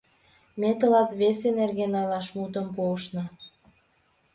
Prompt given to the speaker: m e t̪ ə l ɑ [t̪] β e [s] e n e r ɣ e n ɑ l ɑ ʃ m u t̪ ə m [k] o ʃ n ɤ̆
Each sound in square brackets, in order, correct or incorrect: correct, correct, incorrect: p

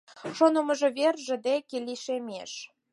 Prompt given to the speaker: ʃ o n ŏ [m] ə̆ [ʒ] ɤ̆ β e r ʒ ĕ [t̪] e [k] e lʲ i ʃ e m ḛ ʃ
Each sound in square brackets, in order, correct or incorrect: correct, correct, incorrect: d̪, correct

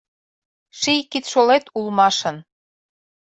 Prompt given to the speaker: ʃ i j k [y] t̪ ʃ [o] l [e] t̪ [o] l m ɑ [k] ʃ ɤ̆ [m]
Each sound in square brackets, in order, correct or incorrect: incorrect: i, correct, correct, incorrect: u, incorrect: none, incorrect: n

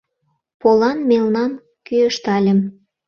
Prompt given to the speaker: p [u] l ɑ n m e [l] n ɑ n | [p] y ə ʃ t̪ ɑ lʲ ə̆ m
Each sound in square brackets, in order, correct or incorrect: incorrect: o, correct, incorrect: k

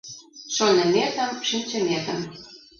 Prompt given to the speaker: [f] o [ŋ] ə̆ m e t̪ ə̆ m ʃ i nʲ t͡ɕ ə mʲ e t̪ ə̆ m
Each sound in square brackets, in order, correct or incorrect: incorrect: ʃ, incorrect: n

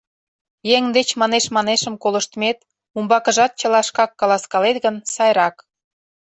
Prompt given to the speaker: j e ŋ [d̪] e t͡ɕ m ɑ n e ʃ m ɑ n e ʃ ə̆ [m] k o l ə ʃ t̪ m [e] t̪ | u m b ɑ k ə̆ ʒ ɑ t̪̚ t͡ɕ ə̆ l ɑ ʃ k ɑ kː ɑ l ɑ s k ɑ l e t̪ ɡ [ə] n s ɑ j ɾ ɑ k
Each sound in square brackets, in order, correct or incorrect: correct, correct, correct, correct

